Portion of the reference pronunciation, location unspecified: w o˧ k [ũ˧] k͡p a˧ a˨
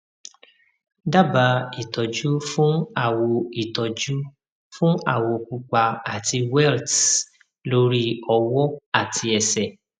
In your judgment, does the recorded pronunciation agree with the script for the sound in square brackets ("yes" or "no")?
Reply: no